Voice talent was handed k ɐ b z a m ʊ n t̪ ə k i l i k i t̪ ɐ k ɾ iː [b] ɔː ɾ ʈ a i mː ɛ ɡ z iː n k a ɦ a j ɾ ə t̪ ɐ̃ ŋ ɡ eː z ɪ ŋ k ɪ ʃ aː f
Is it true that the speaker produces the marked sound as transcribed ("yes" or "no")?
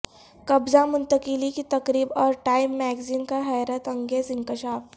yes